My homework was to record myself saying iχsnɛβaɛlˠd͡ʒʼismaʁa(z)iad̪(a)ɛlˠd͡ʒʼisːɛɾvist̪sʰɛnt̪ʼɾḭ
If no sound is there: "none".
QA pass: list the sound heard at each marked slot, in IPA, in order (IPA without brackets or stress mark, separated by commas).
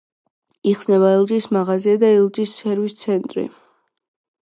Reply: z, a